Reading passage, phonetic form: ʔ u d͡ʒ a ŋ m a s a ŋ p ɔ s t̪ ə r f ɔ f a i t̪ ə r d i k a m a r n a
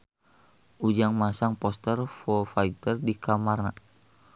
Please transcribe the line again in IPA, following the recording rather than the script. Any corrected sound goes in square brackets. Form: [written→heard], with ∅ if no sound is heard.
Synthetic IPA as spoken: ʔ u d͡ʒ a ŋ m a s a ŋ p ɔ s t̪ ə r f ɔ f a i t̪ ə r d i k a m a r n a